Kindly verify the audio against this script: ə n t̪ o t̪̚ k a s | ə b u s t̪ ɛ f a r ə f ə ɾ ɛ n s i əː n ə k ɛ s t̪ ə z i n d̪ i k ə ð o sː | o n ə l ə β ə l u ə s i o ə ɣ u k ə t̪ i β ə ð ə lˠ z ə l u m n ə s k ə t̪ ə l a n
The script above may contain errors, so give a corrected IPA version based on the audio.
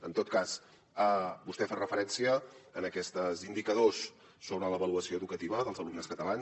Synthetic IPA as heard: ə n t̪ o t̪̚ k a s | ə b u s t̪ ɛ f a r ə f ə ɾ ɛ n s i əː n ə k ɛ s t̪ ə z i n d̪ i k ə ð o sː | o n ə l ə β ə l u ə s i o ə ð u k ə t̪ i β ə ð ə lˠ z ə l u m n ə s k ə t̪ ə l a n